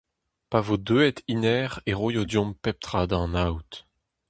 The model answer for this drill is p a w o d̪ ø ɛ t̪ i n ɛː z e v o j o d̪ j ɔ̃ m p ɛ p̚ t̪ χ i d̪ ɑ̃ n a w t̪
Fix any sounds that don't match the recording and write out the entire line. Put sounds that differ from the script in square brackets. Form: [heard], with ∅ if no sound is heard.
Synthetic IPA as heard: p a [v] o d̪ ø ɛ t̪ i n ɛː [ʁ] e [ʁ] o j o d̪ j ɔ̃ m p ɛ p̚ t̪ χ [a] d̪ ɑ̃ n a w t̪